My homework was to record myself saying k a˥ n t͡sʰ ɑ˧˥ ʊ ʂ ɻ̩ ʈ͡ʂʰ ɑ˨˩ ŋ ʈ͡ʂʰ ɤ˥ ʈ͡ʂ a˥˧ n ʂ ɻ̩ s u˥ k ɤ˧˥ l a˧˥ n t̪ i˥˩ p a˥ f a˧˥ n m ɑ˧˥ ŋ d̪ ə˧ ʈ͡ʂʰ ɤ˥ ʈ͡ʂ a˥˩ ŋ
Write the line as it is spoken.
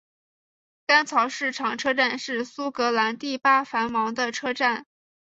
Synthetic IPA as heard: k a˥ n t͡sʰ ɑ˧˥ ʊ ʂ ɻ̩ ʈ͡ʂʰ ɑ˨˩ ŋ ʈ͡ʂʰ ɤ˥ ʈ͡ʂ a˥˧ n ʂ ɻ̩ s u˥ k ɤ˧˥ l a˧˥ n t̪ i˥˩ p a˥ f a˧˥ n m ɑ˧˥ ŋ d̪ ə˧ ʈ͡ʂʰ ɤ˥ ʈ͡ʂ a˥˩ n